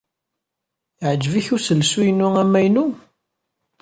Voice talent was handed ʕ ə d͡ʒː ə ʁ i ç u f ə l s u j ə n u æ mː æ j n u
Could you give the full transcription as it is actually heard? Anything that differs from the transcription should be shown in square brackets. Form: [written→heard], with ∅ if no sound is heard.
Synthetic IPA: ʕ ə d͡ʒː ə [ʁ→v] i ç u [f→s] ə l s u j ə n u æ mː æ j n u